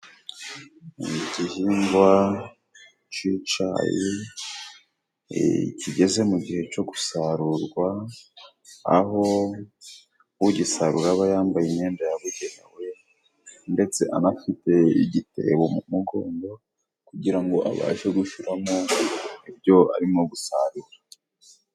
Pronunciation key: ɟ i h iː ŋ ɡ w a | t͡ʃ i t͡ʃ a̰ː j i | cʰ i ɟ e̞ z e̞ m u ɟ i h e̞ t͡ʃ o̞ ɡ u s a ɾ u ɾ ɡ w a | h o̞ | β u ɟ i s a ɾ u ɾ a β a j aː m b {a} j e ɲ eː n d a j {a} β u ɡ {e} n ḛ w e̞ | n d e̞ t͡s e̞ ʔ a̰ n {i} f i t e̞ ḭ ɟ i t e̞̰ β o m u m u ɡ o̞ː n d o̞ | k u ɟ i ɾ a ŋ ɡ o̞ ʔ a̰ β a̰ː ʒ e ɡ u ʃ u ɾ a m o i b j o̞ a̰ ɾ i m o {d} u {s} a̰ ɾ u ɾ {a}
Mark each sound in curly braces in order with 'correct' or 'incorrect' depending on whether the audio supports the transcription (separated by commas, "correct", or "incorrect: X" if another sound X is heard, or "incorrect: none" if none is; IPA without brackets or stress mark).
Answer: correct, correct, correct, incorrect: a, incorrect: ɡ, correct, correct